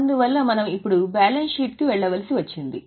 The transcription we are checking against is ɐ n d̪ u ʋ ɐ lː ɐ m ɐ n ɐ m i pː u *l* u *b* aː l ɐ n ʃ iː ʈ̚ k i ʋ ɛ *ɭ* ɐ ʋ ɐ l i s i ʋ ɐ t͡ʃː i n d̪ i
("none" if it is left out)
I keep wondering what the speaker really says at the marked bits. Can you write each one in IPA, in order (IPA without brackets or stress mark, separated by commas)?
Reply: ɽ, b, ɭː